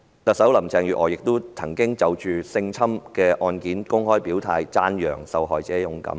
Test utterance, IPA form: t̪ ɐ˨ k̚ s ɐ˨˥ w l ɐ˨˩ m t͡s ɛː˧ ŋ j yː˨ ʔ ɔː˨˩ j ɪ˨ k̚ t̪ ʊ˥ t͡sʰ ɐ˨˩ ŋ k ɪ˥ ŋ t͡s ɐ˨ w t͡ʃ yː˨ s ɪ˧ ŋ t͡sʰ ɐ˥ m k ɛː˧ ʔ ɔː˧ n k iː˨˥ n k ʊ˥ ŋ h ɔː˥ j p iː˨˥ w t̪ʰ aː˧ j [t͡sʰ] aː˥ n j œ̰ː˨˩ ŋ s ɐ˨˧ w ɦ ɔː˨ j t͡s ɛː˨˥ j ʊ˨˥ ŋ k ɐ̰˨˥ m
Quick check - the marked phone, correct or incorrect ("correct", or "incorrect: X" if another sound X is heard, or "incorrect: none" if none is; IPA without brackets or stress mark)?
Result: incorrect: t͡s